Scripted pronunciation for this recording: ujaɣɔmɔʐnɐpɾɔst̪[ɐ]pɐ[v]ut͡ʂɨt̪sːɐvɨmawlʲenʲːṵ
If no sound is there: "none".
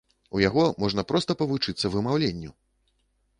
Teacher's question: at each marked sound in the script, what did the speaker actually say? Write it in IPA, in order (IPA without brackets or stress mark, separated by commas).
ɐ, v